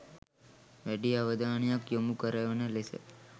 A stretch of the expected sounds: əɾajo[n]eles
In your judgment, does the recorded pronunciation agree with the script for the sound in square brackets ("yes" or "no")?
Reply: yes